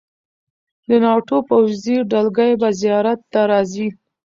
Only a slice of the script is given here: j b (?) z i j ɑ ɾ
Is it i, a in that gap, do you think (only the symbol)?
a